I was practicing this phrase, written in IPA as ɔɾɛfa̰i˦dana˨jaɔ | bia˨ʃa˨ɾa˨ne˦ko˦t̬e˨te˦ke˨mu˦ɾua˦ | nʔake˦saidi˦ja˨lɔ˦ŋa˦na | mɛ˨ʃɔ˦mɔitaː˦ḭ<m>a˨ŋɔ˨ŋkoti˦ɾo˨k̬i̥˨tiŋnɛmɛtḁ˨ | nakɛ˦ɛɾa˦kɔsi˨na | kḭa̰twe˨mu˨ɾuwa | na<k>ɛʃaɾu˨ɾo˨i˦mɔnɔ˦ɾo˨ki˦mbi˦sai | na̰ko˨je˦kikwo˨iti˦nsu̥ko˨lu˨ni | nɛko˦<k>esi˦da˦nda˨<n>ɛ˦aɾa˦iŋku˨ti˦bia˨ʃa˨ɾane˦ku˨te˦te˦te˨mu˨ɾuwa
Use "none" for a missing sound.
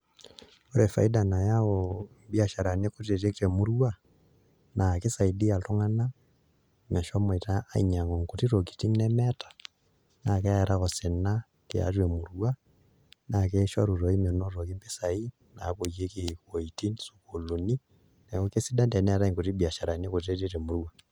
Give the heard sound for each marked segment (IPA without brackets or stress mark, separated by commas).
ɲ, k, k, n